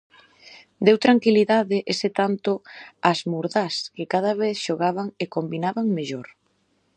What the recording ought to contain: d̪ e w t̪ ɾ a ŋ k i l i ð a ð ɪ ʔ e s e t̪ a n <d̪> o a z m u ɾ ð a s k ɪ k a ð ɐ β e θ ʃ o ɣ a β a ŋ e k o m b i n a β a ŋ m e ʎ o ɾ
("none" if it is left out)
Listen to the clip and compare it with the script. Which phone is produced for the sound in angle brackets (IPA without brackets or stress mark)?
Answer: t̪